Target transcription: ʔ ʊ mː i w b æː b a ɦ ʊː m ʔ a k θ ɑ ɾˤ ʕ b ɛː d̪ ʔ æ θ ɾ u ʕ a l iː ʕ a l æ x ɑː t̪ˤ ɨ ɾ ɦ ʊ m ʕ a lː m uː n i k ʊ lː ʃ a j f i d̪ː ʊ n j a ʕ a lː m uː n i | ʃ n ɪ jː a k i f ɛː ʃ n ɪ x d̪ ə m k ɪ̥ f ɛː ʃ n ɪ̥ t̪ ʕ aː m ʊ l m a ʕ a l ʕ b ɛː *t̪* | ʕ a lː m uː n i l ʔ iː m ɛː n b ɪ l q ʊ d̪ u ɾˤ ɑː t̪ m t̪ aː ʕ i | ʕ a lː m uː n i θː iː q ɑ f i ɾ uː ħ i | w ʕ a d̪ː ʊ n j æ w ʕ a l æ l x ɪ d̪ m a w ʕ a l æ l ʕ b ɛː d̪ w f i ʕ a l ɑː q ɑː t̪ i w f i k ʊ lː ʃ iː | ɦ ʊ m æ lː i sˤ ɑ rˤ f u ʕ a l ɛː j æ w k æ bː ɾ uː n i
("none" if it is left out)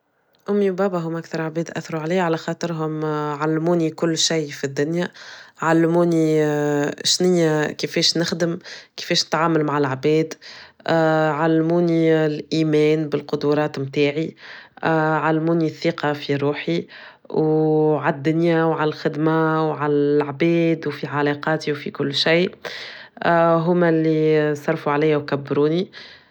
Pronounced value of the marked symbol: d̪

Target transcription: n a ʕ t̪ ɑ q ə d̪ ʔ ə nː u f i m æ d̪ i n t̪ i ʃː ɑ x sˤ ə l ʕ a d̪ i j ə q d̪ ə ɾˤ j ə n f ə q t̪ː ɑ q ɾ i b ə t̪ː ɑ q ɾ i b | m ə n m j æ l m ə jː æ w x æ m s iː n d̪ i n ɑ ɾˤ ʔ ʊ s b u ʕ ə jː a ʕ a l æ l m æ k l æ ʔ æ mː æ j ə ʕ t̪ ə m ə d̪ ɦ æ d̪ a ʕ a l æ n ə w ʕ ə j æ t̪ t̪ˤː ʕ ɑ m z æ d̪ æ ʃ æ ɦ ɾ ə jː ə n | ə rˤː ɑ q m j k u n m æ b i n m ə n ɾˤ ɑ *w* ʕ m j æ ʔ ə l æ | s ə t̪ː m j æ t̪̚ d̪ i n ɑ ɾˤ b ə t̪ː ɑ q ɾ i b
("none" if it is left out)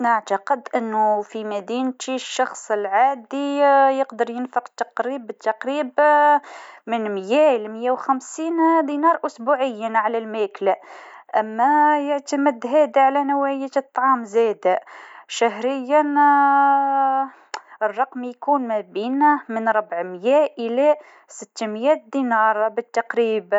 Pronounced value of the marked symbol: b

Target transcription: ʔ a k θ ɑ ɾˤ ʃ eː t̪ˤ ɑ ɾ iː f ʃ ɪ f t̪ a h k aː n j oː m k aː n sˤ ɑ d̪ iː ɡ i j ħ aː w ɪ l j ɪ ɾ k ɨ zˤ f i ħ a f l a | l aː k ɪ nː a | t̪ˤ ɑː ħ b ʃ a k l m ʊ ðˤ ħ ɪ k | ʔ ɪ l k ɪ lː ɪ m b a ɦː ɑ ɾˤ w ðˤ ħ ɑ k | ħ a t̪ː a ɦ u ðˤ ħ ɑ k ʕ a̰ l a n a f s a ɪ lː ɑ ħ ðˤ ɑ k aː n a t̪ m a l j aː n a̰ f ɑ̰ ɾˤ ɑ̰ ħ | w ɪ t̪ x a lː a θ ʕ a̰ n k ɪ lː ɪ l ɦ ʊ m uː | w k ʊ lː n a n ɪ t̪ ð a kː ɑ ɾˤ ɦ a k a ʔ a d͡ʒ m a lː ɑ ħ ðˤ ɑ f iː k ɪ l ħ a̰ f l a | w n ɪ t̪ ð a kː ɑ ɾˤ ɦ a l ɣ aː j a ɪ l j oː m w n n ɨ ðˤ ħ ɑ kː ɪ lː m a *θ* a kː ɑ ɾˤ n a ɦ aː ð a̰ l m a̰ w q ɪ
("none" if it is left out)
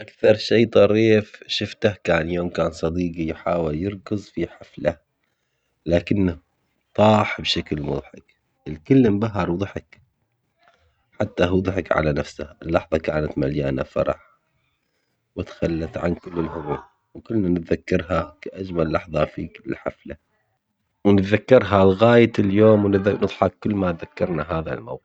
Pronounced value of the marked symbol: ð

